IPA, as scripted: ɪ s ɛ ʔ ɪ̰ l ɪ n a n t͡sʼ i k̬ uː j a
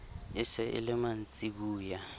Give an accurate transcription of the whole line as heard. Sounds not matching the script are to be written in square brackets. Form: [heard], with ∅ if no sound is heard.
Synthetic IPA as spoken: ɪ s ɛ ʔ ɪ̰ l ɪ [m] a n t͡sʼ i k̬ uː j a